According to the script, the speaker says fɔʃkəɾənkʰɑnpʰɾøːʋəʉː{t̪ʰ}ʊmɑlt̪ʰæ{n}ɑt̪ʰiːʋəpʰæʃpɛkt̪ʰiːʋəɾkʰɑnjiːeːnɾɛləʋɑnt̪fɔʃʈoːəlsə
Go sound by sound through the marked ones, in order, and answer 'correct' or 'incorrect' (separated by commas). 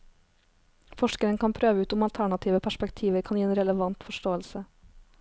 incorrect, incorrect